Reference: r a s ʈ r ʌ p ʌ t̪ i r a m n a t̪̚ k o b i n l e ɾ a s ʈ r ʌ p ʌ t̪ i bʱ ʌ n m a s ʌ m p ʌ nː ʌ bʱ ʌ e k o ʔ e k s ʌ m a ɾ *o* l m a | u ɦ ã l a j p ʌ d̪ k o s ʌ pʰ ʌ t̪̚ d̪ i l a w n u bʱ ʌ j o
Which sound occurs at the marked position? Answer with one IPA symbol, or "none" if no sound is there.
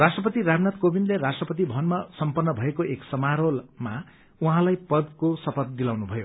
o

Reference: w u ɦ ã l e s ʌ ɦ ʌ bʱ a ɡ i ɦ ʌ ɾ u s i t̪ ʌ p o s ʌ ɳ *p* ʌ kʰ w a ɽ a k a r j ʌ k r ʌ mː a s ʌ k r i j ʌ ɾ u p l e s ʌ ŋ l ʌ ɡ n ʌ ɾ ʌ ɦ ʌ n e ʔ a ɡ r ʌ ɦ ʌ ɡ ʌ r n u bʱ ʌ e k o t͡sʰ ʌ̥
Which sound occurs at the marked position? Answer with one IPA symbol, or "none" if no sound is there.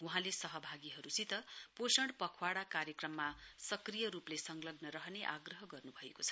p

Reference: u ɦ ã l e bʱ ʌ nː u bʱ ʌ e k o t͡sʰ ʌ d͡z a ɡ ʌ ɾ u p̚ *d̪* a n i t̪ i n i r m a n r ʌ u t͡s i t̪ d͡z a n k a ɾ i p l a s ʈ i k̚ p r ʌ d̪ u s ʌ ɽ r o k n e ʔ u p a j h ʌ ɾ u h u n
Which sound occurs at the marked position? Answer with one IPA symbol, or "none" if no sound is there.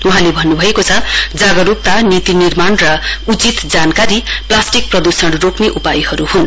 t̪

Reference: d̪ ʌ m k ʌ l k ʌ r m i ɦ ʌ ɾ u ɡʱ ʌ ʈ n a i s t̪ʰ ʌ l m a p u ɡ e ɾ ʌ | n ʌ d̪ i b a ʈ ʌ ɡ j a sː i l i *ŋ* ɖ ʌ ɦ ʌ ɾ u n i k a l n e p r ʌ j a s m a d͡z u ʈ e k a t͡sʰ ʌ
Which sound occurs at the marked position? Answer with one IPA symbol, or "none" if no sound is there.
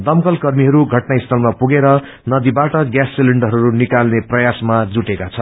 ɳ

